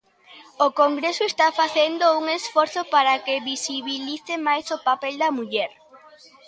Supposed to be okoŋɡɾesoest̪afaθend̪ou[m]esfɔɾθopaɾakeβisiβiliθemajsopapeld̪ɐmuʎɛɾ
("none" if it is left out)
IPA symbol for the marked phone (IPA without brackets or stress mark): ŋ